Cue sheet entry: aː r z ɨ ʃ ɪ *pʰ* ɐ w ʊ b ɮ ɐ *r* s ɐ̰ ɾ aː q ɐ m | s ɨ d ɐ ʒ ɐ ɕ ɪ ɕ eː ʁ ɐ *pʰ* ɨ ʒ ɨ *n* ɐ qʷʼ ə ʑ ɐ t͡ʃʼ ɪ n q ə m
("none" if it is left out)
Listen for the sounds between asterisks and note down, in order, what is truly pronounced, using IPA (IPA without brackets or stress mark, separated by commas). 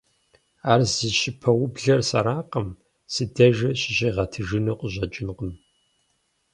pʰ, r, tʰ, n